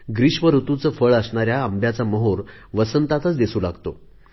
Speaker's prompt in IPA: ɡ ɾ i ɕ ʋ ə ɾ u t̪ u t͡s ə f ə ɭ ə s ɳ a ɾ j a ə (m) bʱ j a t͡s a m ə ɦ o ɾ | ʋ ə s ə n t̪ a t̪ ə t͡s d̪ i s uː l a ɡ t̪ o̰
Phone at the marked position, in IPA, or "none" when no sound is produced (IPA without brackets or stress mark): m